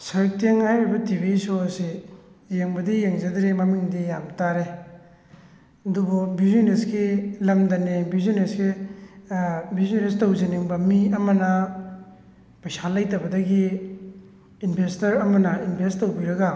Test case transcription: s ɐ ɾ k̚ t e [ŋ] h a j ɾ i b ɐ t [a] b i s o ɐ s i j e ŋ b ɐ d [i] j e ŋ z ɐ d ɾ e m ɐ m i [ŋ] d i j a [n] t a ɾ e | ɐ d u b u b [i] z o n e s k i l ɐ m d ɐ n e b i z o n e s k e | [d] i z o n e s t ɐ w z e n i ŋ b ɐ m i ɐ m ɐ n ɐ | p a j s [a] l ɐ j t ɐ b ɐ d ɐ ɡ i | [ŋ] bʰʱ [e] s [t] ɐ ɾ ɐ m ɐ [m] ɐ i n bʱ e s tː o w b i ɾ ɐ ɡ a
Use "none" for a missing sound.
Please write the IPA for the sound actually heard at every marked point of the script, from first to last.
ŋ, i, i, ŋ, m, i, b, a, n, e, t, n

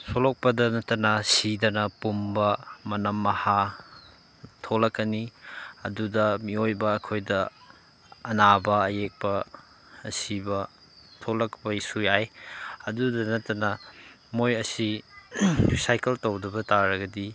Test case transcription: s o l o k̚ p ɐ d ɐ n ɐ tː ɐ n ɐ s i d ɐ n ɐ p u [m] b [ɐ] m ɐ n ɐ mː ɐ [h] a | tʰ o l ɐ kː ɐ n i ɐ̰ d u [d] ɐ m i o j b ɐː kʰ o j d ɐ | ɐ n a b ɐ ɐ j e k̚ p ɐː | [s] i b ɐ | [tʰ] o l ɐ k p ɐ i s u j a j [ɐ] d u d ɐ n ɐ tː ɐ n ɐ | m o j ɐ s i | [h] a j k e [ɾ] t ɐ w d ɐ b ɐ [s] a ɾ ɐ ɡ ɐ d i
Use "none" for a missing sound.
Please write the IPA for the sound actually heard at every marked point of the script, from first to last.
m, ɐ, h, d, s, tʰ, ɐ, s, l, t

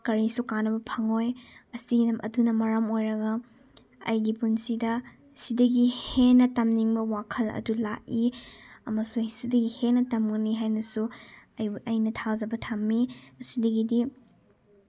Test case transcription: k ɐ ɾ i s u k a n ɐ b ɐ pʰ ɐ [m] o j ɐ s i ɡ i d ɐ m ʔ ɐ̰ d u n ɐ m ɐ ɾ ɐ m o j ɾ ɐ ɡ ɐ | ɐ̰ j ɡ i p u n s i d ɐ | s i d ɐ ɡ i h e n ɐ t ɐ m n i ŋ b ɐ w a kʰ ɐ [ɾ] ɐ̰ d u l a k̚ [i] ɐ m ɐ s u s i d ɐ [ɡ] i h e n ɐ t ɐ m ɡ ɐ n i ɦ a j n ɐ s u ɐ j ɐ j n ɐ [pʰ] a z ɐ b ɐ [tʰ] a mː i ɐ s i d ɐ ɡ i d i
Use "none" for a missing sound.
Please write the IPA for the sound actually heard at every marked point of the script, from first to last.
ŋ, l, i, ɡ, tʰ, tʰ

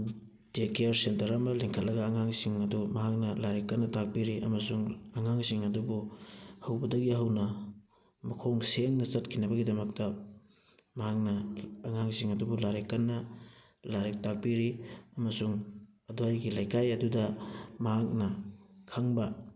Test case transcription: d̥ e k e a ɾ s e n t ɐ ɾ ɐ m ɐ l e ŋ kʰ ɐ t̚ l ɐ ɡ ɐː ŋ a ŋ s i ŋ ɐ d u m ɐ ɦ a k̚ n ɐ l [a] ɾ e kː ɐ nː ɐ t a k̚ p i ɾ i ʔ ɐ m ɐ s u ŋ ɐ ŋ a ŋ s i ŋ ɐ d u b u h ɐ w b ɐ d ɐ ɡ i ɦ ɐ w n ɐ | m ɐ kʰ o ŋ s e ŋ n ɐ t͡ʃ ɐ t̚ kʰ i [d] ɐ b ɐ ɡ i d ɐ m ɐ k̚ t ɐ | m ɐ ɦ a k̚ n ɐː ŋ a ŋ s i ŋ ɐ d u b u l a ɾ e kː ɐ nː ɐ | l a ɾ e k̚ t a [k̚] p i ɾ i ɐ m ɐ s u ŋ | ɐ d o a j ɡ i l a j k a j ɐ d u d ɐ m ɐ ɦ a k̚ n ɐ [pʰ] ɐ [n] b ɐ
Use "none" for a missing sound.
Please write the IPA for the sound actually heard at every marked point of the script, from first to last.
a, n, k̚, kʰ, ŋ

